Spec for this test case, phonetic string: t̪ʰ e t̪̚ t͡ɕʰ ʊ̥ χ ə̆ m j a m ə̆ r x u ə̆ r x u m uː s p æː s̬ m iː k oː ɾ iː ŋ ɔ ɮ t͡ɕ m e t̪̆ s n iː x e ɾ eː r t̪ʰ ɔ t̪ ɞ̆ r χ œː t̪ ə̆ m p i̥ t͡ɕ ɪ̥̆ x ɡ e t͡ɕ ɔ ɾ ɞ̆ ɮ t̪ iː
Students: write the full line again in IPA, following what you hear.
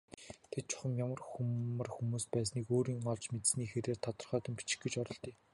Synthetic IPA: t̪ʰ e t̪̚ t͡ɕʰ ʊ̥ χ ə̆ m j a m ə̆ r x u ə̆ r x u m uː s p æː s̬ n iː k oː ɾ iː ŋ ɔ ɮ t͡ɕ m e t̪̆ s n iː x e ɾ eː r t̪ʰ ɔ t̪ ɞ̆ r χ œː t̪ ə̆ m p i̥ t͡ɕ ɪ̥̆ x ɡ e t͡ɕ ɔ ɾ ɞ̆ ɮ t̪ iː